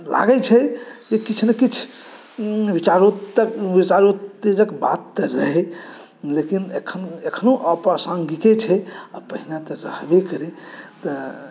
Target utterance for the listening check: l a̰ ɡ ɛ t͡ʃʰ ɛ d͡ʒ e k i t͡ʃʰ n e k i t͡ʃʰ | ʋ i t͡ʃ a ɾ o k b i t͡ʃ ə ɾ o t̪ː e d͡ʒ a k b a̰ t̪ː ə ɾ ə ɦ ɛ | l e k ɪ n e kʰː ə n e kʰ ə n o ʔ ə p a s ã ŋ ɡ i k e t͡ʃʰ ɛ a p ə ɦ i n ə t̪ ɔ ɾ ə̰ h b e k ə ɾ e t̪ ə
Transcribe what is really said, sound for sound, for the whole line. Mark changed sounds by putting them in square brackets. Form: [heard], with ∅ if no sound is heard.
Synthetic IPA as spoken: l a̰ ɡ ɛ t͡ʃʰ ɛ d͡ʒ e k i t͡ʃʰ n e k i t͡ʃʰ | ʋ i t͡ʃ a ɾ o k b i t͡ʃ [a] ɾ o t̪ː e d͡ʒ [ə] k b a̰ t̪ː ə ɾ ə ɦ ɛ | l e k [i] n e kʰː ə n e kʰ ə n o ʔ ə p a s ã ŋ ɡ i k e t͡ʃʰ ɛ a p ə ɦ i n [a] t̪ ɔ ɾ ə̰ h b e k ə ɾ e t̪ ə

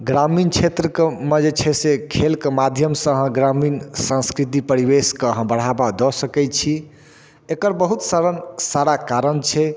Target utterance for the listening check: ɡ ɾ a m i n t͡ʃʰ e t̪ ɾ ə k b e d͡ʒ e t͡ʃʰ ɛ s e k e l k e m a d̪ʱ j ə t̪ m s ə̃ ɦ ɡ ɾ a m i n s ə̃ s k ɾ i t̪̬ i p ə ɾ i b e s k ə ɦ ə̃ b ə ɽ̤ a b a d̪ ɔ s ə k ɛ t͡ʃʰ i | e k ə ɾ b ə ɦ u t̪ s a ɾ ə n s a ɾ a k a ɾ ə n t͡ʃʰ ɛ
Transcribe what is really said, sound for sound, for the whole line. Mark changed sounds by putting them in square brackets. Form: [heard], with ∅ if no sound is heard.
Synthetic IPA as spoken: ɡ ɾ a m i n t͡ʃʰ e t̪ ɾ ə k [m] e d͡ʒ e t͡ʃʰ ɛ s e [kʰ] e l k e m a d̪ʱ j ə [∅] m s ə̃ ɦ ɡ ɾ a m i n s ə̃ s k ɾ i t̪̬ i p ə ɾ i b e s k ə ɦ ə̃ b ə ɽ̤ a b a d̪ ɔ s ə k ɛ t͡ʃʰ i | e k ə ɾ b ə ɦ u t̪ s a ɾ ə n s a ɾ a k a ɾ ə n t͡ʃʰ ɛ

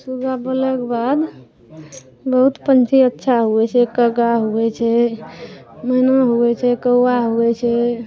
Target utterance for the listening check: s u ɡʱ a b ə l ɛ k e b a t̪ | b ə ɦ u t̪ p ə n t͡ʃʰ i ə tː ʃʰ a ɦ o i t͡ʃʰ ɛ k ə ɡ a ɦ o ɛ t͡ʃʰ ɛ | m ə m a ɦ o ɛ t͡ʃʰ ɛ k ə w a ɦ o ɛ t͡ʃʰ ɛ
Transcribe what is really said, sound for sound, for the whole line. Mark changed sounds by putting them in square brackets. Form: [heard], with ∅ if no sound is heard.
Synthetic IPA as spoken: s u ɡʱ a b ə l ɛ k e b a [d̪] | b ə ɦ u t̪ p ə n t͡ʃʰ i ə tː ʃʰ a ɦ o [ɛ] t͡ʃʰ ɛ k ə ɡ a ɦ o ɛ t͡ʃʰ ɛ | m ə [n] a ɦ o ɛ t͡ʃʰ ɛ k ə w a ɦ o ɛ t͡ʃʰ ɛ

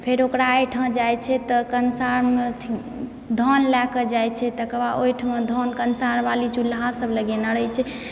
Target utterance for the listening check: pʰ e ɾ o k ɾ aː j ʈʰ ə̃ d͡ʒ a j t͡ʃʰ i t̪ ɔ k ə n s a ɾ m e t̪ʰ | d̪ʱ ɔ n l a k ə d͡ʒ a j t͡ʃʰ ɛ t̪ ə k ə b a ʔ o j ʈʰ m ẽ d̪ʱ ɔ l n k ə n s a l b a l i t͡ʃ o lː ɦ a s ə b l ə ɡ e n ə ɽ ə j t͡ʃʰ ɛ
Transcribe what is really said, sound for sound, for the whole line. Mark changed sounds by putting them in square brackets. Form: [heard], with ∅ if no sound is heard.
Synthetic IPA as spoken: pʰ e ɾ o k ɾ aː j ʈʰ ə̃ d͡ʒ a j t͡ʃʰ [ɛ] t̪ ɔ k ə n s a ɾ m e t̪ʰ | d̪ʱ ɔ n l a k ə d͡ʒ a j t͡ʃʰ ɛ t̪ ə k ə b a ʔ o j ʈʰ m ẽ d̪ʱ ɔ [∅] n k ə n s a [ɾ] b a l i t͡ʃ [u] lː ɦ a s ə b l ə ɡ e n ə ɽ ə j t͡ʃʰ ɛ

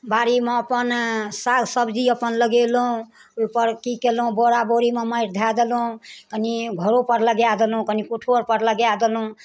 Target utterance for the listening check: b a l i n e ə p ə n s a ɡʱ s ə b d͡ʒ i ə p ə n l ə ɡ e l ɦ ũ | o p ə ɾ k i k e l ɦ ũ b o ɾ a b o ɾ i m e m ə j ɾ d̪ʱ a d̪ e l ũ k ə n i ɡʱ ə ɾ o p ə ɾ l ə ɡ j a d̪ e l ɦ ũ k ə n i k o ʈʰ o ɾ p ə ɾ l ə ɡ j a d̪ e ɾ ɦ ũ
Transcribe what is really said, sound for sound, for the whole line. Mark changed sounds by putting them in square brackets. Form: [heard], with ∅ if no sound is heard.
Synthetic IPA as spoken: b a [ɾ] i [m] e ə p ə n s a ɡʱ s ə b d͡ʒ i ə p ə n l ə ɡ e l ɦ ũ | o p ə ɾ k i k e l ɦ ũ b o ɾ a b o ɾ i m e m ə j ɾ d̪ʱ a d̪ e l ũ k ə n i ɡʱ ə ɾ o p ə ɾ l ə ɡ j a d̪ e l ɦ ũ k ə n i k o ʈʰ o ɾ p ə ɾ l ə ɡ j a d̪ e [l] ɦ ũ

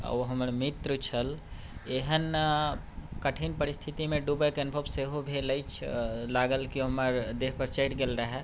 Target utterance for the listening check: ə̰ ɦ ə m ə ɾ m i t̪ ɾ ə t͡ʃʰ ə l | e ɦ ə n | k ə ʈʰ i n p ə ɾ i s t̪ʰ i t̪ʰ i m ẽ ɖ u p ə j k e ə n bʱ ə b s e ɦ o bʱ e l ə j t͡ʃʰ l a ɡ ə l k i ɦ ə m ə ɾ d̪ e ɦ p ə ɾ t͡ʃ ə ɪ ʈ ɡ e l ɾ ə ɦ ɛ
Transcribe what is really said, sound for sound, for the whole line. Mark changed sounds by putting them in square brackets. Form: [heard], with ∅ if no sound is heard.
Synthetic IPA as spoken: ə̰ ɦ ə m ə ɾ m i t̪ ɾ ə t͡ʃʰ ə l | e ɦ ə n | k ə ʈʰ i n p ə ɾ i s t̪ʰ i [t̪] i m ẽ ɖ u [b] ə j k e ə n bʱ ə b s e ɦ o bʱ e l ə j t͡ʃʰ l a ɡ ə l k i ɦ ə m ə ɾ d̪ e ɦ p ə ɾ t͡ʃ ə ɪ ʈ ɡ e l ɾ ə ɦ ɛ

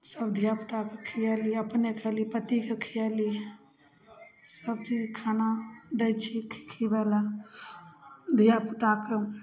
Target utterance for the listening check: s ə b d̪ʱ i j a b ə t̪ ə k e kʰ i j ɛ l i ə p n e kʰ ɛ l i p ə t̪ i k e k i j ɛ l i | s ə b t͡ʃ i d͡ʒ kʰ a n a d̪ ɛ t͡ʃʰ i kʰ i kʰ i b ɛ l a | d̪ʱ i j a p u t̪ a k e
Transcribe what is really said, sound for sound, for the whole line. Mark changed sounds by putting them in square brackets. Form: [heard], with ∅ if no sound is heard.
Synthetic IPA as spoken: s ə b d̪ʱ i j a [p] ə t̪ [a] k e kʰ i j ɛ l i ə p n e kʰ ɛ l i p ə t̪ i k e [kʰ] i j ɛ l i | s ə b t͡ʃ i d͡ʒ kʰ a n a d̪ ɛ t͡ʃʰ i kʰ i kʰ i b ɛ l a | d̪ʱ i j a p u t̪ a k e

